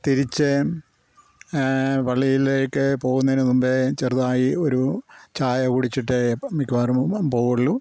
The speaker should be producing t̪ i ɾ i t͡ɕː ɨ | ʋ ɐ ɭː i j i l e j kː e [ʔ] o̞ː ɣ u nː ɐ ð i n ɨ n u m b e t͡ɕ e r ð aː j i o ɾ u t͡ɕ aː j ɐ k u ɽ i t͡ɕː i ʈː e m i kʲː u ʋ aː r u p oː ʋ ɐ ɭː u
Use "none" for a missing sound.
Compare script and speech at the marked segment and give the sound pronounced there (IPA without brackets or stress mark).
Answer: p